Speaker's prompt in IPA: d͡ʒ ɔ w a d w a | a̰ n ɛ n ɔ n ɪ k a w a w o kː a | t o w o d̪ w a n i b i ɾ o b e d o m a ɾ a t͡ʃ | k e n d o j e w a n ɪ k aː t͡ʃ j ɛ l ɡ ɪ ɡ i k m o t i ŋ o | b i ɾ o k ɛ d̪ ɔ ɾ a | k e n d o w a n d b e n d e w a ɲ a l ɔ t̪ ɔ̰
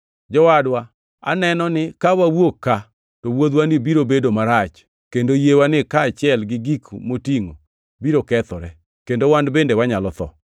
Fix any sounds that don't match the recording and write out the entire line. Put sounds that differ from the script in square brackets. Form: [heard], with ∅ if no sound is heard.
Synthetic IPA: d͡ʒ ɔ w a d w a | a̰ n ɛ n ɔ n ɪ k a w a w o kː a | t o w o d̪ w a n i b i ɾ o b e d o m a ɾ a t͡ʃ | k e n d o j e w a n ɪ k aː t͡ʃ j ɛ l ɡ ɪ ɡ i k m o t i ŋ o | b i ɾ o k ɛ [t̪] ɔ ɾ [ɛ] | k e n d o w a n d b e n d e w a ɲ a l ɔ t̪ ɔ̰